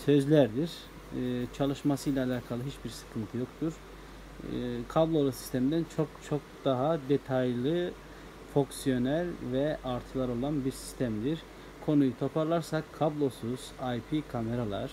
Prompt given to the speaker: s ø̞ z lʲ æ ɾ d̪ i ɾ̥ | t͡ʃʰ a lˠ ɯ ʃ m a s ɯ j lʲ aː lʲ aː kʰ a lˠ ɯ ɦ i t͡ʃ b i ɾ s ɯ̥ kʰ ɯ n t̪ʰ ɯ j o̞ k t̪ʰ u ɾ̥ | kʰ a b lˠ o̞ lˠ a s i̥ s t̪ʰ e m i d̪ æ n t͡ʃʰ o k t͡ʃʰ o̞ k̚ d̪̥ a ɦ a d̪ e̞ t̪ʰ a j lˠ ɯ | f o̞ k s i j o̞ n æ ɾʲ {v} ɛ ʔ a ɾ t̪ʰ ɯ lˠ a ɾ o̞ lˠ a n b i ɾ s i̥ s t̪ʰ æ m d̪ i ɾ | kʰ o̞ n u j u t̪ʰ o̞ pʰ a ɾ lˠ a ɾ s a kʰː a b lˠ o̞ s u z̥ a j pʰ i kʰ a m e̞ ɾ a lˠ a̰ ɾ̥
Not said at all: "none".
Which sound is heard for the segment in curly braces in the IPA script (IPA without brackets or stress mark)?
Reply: v